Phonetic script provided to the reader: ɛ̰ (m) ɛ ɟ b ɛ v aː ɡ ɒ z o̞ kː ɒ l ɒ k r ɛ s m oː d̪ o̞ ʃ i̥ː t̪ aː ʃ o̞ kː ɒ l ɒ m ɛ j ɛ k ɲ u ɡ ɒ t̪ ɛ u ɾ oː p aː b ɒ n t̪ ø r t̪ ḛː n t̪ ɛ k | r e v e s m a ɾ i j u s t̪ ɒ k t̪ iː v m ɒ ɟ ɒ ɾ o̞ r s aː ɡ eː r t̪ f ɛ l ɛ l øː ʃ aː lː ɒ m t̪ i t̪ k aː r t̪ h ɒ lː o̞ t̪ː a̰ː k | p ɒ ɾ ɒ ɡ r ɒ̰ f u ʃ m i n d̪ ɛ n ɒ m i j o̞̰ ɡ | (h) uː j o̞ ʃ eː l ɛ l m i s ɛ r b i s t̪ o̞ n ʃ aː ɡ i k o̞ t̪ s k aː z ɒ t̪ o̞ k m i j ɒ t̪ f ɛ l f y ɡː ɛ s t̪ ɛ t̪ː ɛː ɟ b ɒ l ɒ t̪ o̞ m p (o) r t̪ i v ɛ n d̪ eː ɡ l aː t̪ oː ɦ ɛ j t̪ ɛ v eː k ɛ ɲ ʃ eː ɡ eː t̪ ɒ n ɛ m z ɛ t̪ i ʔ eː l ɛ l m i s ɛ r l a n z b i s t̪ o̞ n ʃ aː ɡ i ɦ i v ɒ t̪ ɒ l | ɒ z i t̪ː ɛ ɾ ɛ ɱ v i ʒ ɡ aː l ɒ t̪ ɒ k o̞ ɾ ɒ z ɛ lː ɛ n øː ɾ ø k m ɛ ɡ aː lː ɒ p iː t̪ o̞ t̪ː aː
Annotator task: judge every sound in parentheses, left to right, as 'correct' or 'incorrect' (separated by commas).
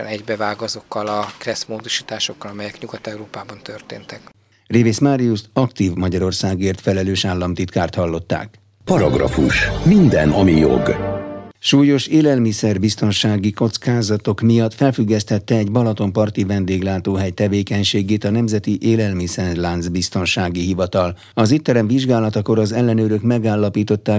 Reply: incorrect, incorrect, incorrect